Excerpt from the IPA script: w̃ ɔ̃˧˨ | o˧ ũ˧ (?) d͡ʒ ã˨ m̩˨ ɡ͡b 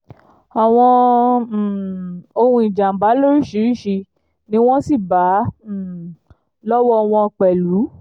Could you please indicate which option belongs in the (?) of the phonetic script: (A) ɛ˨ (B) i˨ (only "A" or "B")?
B